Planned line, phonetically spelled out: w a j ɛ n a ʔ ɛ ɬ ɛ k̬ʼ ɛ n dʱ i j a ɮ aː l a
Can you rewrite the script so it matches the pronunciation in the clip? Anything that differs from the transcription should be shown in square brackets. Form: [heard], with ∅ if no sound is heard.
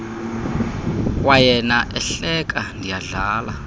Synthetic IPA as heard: w a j ɛ n a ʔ ɛ ɬ ɛ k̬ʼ [a] n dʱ i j a ɮ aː l a